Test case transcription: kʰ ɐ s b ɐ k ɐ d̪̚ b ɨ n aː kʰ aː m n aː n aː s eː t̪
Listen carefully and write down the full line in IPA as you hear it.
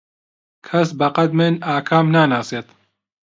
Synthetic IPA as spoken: kʰ ɐ s b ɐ q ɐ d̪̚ m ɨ n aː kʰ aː m n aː n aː s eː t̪